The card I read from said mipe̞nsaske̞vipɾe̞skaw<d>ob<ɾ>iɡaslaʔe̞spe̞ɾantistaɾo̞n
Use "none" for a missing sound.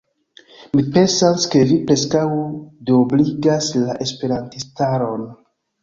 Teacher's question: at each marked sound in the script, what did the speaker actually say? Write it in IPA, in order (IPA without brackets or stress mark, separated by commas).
d, l